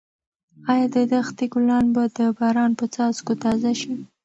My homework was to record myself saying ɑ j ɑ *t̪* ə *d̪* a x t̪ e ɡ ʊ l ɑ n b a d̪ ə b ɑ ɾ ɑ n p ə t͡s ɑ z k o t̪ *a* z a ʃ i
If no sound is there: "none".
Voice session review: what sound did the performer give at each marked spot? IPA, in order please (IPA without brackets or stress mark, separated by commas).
d̪, d̪, ɑ